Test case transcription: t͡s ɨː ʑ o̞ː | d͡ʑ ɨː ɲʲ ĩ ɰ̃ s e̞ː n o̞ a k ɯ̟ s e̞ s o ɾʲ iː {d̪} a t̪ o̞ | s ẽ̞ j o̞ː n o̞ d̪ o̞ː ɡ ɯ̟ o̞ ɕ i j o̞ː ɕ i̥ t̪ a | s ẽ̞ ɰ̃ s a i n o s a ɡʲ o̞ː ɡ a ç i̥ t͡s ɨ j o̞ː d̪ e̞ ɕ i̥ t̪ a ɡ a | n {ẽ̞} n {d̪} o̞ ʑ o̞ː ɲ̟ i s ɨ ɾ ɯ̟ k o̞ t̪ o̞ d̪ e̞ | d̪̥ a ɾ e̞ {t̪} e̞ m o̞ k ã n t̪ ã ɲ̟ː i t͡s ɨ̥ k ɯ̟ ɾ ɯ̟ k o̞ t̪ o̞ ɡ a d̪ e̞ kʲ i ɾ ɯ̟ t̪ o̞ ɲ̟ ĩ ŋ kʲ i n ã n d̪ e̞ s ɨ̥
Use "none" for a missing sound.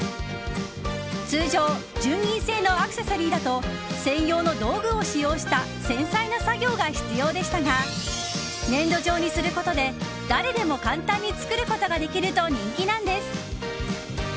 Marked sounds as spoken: d̪, ẽ̞, d̪, d̪

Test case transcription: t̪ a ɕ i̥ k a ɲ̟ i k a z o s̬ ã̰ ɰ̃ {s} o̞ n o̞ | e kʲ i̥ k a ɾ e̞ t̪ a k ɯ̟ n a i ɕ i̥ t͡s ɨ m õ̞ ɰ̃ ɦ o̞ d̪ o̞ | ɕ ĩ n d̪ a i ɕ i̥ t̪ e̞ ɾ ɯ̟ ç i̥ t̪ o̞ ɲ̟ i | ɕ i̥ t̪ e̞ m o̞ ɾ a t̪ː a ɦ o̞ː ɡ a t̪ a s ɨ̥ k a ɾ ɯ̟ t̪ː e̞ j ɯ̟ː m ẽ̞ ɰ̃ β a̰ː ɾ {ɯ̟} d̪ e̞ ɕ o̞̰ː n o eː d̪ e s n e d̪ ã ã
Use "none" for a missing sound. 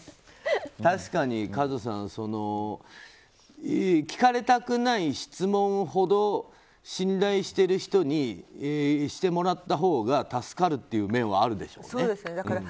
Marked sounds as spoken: s, ɯ̟

